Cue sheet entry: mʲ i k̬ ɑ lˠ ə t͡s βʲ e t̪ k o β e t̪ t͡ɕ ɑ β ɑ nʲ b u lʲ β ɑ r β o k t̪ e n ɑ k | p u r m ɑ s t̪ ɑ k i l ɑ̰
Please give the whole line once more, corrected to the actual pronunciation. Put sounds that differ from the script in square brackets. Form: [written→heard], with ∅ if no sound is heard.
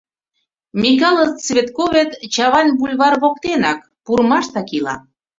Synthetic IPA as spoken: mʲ i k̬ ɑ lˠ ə t͡s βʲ e t̪ k o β e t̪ t͡ɕ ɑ β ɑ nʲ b u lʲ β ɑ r β o k t̪ e n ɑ k | p u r m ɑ [s→ʃ] t̪ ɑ k i l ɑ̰